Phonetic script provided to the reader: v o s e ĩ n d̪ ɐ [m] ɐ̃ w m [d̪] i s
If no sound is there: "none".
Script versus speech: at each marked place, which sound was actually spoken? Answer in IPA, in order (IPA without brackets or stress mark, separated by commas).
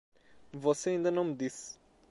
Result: n, d̪